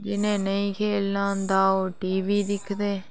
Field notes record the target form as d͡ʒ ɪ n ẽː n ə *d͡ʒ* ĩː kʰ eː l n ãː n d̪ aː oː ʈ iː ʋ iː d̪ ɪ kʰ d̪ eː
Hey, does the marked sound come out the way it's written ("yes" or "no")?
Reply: no